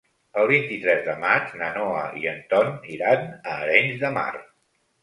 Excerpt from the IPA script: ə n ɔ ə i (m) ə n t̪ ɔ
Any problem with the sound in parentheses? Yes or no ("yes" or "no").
yes